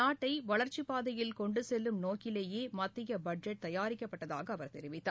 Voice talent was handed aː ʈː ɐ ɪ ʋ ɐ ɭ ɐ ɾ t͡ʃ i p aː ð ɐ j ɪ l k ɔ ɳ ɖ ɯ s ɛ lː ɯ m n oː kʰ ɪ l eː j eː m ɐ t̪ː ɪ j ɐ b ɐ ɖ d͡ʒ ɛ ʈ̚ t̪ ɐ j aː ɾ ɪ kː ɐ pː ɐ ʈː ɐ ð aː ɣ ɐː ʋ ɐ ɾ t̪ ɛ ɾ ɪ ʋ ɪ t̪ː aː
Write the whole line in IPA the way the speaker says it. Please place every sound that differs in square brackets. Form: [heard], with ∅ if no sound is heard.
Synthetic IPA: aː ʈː ɐ ɪ ʋ ɐ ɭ ɐ ɾ t͡ʃ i p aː ð ɐ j ɪ l k ɔ ɳ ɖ ɯ s ɛ lː ɯ m n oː [k] ɪ l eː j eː m ɐ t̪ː ɪ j ɐ b ɐ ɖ d͡ʒ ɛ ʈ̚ t̪ ɐ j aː ɾ ɪ kː ɐ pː ɐ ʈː ɐ ð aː ɣ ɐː ʋ ɐ ɾ t̪ ɛ ɾ ɪ ʋ ɪ t̪ː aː